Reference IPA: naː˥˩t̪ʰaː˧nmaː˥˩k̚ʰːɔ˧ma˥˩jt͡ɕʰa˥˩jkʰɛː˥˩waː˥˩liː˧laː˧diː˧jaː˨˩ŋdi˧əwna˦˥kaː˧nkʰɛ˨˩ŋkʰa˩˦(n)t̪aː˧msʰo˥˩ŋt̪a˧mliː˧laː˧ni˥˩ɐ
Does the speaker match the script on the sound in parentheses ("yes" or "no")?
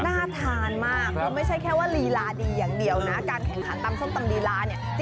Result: yes